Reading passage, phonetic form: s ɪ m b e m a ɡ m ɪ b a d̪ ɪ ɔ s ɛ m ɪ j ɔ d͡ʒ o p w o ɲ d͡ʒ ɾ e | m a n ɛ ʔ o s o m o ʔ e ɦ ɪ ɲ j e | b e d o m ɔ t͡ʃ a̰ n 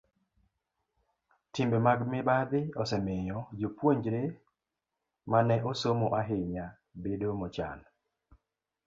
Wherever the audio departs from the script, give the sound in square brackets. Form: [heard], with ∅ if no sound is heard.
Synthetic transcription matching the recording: [t] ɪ m b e m a ɡ m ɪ b a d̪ ɪ ɔ s ɛ m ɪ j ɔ d͡ʒ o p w o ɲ d͡ʒ ɾ e | m a n ɛ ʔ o s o m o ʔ [a] ɦ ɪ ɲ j [a] | b e d o m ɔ t͡ʃ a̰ n